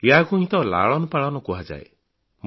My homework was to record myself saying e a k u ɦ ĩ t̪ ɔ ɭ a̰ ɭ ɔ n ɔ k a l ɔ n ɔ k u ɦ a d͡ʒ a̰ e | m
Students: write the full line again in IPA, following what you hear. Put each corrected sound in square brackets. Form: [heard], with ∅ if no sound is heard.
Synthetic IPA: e a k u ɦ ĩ t̪ ɔ [l] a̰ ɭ ɔ n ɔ [p] a [ɭ] ɔ n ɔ k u ɦ a d͡ʒ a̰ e | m